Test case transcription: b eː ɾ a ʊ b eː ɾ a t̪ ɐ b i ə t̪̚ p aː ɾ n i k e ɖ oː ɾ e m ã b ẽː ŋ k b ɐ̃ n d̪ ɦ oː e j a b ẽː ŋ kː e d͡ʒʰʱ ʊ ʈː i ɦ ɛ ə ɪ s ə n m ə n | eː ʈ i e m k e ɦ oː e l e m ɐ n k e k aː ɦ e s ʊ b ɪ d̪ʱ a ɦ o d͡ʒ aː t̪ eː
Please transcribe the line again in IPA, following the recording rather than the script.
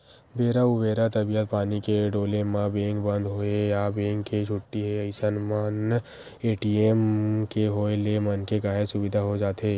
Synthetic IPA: b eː ɾ a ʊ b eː ɾ a t̪ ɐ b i ə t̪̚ p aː n i k e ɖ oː l e m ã b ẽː ŋ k b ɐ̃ n d̪ ɦ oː e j a b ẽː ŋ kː e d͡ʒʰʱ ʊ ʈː i ɦ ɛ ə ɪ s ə n m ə n | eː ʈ i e m k e ɦ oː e l e m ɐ n k e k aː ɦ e s ʊ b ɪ d̪ʱ a ɦ o d͡ʒ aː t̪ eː